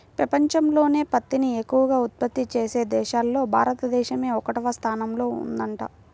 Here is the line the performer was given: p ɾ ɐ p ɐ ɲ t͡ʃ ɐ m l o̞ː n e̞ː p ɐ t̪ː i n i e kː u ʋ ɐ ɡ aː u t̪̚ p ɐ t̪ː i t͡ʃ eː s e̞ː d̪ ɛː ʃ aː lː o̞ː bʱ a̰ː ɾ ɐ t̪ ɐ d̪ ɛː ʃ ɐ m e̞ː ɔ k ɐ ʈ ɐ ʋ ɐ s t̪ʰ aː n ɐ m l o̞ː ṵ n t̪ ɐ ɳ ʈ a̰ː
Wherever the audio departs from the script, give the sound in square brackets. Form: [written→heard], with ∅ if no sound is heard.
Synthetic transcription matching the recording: p ɾ ɐ p ɐ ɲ t͡ʃ ɐ m l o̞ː n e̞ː p ɐ t̪ː i n i e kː u ʋ ɐ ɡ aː u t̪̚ p ɐ t̪ː i t͡ʃ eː s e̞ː d̪ ɛː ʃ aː lː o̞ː bʱ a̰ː ɾ ɐ t̪ ɐ d̪ ɛː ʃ ɐ m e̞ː ɔ k ɐ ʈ ɐ ʋ ɐ s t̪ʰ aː n ɐ m l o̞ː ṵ n [t̪→d̪] ɐ ɳ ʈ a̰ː